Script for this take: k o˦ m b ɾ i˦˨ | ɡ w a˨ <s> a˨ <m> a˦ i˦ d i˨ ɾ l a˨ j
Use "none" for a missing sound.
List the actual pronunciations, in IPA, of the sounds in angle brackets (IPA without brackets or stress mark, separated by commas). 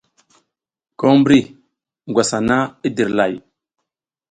s, n